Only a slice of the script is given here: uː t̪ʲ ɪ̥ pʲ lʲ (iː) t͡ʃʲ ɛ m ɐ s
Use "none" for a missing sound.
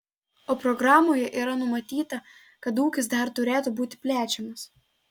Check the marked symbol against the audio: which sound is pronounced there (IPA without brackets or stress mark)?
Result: æː